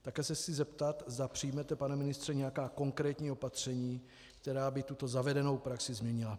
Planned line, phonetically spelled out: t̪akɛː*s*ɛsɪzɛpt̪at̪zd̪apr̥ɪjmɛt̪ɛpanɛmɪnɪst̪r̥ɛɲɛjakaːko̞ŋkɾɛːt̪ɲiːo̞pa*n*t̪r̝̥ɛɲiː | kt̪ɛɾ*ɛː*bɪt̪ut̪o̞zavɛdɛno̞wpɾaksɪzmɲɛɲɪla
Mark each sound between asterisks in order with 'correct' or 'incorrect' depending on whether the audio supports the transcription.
correct, incorrect: none, incorrect: aː

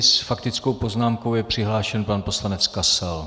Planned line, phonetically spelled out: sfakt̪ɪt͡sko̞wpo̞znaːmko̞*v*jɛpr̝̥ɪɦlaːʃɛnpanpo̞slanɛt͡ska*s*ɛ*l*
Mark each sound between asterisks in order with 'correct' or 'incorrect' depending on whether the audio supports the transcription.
incorrect: w, correct, correct

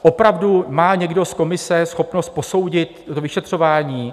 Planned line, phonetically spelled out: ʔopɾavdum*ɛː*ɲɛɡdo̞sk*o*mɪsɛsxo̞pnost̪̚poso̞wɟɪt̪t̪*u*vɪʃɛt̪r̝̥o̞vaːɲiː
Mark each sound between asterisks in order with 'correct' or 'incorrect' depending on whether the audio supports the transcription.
incorrect: aː, correct, incorrect: o

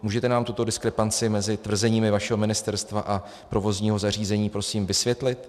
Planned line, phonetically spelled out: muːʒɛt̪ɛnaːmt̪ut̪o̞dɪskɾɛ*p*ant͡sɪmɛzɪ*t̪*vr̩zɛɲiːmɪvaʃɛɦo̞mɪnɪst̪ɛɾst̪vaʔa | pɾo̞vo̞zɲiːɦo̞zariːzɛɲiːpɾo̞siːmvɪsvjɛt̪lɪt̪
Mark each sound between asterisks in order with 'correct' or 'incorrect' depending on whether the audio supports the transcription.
correct, correct

